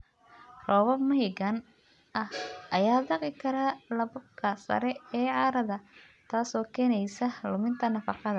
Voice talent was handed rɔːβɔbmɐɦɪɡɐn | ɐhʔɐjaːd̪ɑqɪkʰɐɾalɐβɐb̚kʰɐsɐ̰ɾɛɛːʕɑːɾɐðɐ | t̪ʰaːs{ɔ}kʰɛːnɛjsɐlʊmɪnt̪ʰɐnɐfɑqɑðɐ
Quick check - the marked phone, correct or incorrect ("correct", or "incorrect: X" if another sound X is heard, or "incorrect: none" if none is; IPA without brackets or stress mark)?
incorrect: ɔː